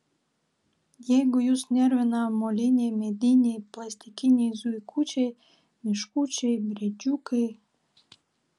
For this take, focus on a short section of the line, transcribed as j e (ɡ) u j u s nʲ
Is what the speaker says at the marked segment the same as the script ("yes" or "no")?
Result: yes